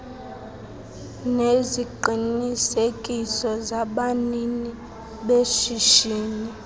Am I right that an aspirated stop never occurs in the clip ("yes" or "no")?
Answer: yes